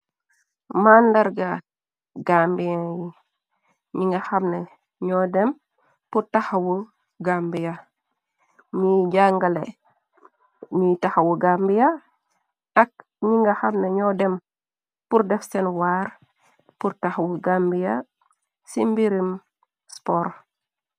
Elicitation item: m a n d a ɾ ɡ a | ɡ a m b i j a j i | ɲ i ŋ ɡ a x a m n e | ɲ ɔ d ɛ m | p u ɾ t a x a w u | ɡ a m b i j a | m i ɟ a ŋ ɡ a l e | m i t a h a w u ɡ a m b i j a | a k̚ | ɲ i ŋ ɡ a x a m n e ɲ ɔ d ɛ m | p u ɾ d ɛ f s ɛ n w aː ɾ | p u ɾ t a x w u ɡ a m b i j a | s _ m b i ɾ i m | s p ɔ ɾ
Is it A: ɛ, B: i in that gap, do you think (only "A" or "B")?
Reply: B